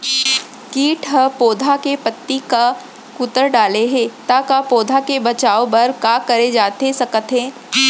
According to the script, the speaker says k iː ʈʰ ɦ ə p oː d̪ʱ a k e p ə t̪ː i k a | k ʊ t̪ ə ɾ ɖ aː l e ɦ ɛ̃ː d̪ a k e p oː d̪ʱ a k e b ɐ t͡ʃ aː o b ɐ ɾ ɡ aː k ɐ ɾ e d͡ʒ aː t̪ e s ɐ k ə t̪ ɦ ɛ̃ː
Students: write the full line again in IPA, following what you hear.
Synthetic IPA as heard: k iː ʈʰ ɦ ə p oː d̪ʱ a k e p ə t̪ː i k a | k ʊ t̪ ə ɾ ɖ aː l e ɦ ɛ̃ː t̪ a k a p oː d̪ʱ a k e b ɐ t͡ʃ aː o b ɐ ɾ k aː k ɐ ɾ e d͡ʒ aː t̪ e s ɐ k ə t̪ ɦ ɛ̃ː